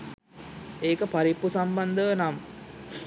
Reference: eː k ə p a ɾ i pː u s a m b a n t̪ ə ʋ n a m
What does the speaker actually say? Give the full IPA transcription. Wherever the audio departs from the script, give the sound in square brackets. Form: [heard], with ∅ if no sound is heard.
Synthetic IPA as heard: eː k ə p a ɾ i pː u s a m b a n [d̪] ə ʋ n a m